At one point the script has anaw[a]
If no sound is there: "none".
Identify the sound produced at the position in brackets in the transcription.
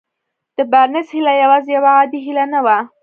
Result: a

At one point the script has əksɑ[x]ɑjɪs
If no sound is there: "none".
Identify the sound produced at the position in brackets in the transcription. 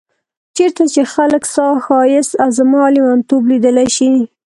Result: x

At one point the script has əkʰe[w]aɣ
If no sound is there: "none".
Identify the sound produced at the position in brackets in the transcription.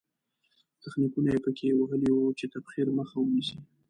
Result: w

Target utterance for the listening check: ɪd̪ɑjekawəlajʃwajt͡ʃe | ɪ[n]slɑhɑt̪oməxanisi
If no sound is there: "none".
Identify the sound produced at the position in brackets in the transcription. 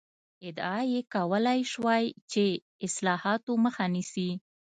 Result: none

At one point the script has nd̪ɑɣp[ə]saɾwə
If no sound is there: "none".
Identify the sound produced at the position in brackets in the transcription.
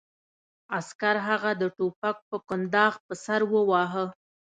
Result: ə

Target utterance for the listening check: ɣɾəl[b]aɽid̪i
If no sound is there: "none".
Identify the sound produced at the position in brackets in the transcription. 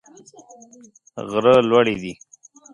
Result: w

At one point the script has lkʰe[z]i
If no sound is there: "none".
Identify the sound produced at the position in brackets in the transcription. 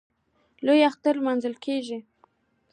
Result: ʒ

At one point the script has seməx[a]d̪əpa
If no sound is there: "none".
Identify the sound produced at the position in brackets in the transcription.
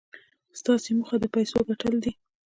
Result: a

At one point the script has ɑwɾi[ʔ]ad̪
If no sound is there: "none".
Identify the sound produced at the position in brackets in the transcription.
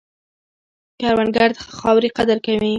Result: q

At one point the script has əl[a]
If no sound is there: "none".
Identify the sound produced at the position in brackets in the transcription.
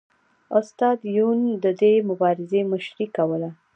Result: a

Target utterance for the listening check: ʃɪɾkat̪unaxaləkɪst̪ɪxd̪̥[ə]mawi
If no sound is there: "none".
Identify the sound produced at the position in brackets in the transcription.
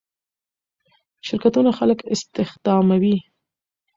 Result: ɑ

